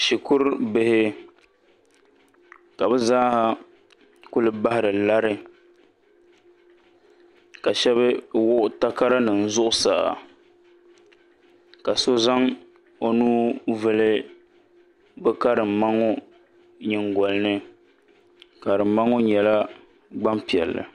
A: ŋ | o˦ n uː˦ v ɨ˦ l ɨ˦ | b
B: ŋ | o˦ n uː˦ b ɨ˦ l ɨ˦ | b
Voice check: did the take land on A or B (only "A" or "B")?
A